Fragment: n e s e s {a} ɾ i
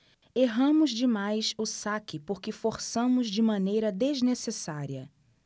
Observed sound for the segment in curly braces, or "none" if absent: a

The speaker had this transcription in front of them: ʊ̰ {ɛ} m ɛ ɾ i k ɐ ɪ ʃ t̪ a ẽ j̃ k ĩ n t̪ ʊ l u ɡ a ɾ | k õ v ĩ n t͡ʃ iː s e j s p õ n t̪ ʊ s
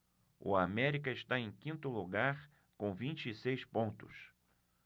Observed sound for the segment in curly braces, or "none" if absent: a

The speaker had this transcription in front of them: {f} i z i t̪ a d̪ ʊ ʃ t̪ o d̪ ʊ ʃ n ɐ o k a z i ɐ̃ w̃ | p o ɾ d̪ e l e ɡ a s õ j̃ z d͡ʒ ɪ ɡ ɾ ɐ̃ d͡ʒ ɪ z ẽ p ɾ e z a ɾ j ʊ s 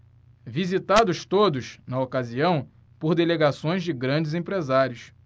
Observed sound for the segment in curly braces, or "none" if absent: v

